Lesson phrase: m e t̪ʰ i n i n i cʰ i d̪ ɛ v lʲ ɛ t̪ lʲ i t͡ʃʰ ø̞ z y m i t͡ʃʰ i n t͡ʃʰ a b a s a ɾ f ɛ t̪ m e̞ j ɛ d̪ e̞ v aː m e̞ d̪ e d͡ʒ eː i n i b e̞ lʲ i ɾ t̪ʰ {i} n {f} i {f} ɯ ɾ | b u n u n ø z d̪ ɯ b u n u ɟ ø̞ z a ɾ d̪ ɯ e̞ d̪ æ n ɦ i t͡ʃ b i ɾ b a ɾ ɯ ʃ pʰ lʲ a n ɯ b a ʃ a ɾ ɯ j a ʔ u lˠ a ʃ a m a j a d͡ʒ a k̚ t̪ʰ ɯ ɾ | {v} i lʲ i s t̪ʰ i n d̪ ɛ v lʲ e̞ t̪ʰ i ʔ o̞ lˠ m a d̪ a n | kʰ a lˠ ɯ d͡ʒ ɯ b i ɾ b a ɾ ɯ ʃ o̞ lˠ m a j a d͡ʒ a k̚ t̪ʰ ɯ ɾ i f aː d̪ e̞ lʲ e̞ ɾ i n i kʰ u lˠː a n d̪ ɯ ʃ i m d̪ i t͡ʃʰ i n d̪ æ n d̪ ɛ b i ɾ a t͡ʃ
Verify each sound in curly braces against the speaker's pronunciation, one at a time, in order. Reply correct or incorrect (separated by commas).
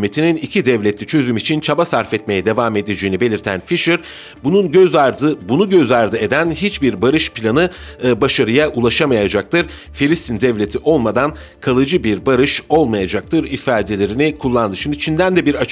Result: incorrect, correct, incorrect, incorrect